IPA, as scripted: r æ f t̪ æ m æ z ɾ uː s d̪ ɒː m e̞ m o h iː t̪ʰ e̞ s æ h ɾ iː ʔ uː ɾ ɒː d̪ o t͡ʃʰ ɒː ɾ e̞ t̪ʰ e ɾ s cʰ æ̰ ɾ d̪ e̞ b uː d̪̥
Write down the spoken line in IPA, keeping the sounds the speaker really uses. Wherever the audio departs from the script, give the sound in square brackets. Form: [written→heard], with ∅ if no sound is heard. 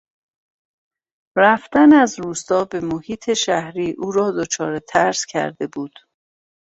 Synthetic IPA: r æ f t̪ æ [m→n] æ z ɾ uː s [d̪→t̪] ɒː [m→b] e̞ m o h iː t̪ʰ e̞ [s→ʃ] æ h ɾ iː ʔ uː ɾ ɒː d̪ o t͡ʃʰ ɒː ɾ e̞ t̪ʰ [e→æ] ɾ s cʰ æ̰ ɾ d̪ e̞ b uː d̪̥

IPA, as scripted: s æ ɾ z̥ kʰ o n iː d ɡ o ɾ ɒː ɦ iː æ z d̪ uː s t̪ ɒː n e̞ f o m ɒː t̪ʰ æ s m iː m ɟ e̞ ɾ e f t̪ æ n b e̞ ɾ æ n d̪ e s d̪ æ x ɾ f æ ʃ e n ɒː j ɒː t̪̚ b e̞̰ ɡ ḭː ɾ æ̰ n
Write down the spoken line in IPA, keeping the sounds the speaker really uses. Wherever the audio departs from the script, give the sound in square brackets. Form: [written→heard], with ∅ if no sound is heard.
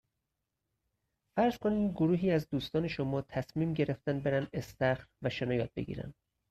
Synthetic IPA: [s→f] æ ɾ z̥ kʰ o n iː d ɡ o ɾ [ɒː→uː] ɦ iː æ z d̪ uː s t̪ ɒː n e̞ [f→ʃ] o m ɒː t̪ʰ æ s m iː m ɟ e̞ ɾ e f t̪ æ n b e̞ ɾ æ n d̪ e s [d̪→t̪] æ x ɾ [f→v] æ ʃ e n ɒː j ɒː t̪̚ b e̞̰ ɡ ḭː ɾ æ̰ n

